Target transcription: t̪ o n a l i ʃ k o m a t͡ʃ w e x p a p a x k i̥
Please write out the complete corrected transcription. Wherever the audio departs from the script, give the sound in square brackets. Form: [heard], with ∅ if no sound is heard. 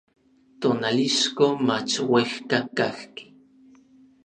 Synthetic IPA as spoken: t̪ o n a l i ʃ k o m a t͡ʃ w e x [k] a [k] a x k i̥